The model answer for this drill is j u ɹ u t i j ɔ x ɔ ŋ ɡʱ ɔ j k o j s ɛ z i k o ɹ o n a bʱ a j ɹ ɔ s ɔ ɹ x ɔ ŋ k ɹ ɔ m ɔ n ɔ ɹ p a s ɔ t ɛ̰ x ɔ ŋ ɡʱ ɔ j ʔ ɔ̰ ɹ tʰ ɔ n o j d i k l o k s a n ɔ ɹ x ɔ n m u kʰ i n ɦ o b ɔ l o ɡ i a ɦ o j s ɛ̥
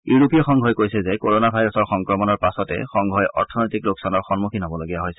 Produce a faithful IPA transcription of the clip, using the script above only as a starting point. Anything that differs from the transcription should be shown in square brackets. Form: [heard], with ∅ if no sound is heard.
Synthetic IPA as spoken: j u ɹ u [p] i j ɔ x ɔ ŋ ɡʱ ɔ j k o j s ɛ z [ɛ] k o ɹ o n a bʱ a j ɹ ɔ s ɔ ɹ x ɔ ŋ k ɹ ɔ m ɔ n ɔ ɹ p a s ɔ t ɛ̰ x ɔ ŋ ɡʱ ɔ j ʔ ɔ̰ ɹ tʰ ɔ n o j [t] i k l o k s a n ɔ ɹ x ɔ n m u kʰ i n ɦ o b ɔ l o ɡ i a ɦ o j s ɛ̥